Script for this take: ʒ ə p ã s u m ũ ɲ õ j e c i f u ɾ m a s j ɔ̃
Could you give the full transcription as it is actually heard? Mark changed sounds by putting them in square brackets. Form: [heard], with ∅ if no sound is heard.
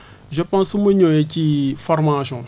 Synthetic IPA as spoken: ʒ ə p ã s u m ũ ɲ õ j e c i f [ɔ] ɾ m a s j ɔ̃